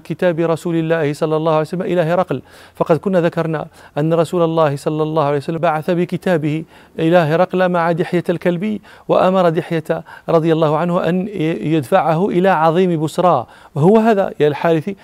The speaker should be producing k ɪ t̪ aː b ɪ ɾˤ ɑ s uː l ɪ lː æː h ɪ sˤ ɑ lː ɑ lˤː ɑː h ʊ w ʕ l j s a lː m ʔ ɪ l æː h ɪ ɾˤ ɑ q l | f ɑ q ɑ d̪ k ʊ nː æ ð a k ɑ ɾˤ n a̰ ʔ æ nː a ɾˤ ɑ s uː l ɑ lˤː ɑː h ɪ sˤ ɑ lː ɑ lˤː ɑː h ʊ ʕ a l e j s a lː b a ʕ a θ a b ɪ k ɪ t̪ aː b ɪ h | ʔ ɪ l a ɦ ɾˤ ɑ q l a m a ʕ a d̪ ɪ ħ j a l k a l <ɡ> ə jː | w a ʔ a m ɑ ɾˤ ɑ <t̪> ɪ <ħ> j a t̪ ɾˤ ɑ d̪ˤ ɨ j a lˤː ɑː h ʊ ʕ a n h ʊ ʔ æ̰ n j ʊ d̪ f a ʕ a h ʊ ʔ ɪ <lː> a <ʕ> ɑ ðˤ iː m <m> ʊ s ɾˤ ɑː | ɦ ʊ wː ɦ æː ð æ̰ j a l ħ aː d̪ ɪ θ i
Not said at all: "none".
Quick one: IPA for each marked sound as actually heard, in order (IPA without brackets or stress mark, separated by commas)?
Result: b, d̪, ħ, l, ʕ, b